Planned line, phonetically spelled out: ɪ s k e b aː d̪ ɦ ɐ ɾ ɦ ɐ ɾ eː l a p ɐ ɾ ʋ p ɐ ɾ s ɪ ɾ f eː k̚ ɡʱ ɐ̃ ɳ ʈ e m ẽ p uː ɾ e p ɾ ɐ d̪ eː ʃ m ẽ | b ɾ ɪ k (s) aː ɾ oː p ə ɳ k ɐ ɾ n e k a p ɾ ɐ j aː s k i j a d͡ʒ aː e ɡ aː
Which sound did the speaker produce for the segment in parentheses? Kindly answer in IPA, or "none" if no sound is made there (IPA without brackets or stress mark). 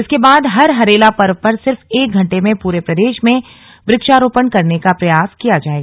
ʃ